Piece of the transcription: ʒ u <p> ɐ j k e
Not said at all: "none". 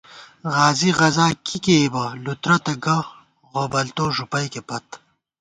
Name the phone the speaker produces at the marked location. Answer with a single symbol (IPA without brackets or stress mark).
p